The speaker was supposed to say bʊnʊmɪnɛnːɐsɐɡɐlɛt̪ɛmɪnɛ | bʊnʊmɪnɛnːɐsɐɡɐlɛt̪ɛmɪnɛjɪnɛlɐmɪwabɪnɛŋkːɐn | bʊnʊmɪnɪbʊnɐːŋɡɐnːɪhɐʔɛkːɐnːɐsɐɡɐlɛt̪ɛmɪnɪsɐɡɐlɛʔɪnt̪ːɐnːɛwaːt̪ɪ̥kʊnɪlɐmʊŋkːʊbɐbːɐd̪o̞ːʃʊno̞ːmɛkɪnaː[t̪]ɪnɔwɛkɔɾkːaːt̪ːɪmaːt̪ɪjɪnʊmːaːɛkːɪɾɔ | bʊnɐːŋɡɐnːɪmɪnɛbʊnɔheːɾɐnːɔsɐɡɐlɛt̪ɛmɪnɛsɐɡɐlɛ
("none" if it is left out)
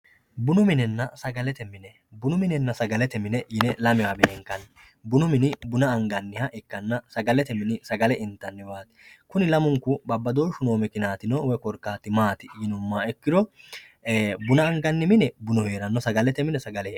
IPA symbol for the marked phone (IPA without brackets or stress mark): t̪